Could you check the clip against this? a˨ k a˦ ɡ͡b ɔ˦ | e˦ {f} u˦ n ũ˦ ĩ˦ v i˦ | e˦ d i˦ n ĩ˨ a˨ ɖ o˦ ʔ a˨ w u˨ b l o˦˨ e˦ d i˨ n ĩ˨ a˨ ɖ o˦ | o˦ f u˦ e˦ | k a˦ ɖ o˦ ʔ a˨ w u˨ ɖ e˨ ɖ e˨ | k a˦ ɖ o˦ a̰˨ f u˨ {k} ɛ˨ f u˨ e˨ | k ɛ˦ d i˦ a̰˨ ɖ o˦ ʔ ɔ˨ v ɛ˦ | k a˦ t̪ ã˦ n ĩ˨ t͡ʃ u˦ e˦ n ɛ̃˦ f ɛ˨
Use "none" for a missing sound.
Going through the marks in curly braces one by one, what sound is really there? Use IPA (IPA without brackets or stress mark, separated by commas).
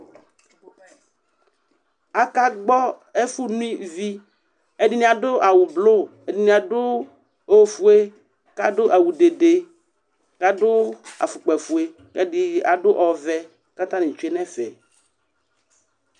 f, k͡p